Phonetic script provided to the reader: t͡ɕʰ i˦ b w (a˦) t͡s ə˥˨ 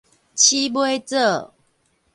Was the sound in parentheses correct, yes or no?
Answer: no